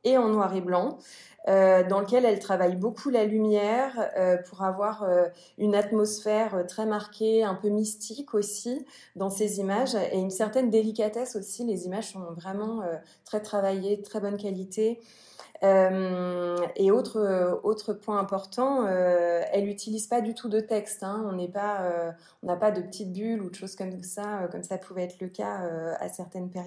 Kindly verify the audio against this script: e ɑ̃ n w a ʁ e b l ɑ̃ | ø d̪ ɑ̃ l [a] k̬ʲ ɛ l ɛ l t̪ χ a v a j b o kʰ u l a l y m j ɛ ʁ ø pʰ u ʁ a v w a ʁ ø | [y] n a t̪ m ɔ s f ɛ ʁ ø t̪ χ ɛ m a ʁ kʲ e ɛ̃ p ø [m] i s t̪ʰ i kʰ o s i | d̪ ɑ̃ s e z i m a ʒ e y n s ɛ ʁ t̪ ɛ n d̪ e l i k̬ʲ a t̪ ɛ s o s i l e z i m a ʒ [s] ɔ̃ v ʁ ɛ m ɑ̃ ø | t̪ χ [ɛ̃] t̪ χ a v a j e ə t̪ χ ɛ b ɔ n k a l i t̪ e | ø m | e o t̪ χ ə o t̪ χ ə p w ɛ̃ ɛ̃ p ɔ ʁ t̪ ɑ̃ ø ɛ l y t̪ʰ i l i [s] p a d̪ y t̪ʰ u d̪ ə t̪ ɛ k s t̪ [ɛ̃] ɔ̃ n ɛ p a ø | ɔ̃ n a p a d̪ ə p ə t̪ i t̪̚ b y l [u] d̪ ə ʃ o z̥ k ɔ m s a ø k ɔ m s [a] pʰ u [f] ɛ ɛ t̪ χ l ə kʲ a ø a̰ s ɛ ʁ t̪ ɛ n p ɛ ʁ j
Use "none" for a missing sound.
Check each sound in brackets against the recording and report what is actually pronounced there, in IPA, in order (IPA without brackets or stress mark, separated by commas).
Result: ə, y, m, s, ɛ, z, ɛ̃, u, a, v